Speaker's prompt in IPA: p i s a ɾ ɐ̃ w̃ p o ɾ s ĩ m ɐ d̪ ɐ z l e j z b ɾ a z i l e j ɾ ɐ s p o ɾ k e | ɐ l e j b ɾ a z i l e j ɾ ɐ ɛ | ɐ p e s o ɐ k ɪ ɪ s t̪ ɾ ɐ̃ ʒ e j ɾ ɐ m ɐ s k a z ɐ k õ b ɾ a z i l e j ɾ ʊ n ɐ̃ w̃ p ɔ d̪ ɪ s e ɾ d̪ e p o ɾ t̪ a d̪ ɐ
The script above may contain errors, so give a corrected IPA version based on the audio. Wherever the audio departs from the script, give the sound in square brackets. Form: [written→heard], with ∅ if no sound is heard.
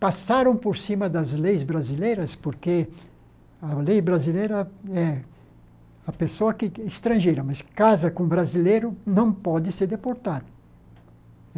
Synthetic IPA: p [i→a] s a ɾ ɐ̃ w̃ p o ɾ s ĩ m ɐ d̪ ɐ z l e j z b ɾ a z i l e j ɾ ɐ s p o ɾ k e | ɐ l e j b ɾ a z i l e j ɾ ɐ ɛ | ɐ p e s o ɐ k ɪ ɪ s t̪ ɾ ɐ̃ ʒ e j ɾ ɐ m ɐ s k a z ɐ k õ b ɾ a z i l e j ɾ ʊ n ɐ̃ w̃ p ɔ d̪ ɪ s e ɾ d̪ e p o ɾ t̪ a d̪ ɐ